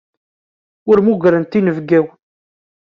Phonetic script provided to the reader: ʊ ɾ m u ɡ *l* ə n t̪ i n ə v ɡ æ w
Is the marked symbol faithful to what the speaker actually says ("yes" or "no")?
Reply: no